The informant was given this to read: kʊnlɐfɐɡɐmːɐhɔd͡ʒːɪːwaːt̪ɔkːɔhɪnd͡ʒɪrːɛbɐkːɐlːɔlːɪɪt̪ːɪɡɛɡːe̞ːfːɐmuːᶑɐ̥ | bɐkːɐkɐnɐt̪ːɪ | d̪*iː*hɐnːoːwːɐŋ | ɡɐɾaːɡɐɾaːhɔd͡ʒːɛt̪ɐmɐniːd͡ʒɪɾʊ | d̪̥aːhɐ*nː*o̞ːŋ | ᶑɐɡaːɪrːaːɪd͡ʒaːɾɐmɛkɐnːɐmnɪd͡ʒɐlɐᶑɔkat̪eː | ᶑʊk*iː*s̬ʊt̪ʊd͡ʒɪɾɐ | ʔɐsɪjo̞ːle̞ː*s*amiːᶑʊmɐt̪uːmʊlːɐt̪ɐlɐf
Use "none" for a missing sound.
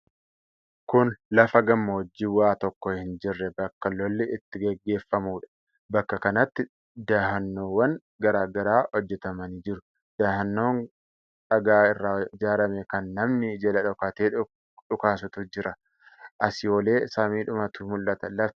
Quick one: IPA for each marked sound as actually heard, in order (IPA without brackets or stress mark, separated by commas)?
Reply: aː, nː, aː, s